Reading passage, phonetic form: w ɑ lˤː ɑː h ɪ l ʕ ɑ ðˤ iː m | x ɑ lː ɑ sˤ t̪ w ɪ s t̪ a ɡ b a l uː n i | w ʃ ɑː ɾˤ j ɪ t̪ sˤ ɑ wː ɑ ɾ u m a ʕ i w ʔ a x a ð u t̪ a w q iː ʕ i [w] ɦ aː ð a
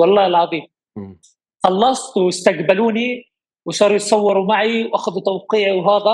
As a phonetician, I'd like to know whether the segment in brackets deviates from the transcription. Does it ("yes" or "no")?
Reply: no